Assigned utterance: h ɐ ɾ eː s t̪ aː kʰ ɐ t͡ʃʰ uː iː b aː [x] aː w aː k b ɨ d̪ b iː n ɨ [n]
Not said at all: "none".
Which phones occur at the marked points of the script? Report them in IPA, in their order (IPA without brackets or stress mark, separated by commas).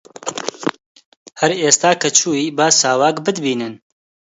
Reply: s, n